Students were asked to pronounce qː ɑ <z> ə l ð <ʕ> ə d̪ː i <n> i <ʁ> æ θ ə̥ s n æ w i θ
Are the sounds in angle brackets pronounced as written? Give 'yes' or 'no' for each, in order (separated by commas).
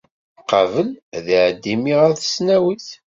no, yes, no, yes